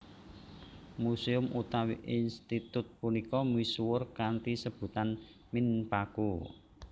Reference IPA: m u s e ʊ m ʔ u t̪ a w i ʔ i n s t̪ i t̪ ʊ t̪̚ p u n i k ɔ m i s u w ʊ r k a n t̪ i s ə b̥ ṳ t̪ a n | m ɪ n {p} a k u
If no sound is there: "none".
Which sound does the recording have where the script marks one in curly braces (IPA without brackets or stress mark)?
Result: p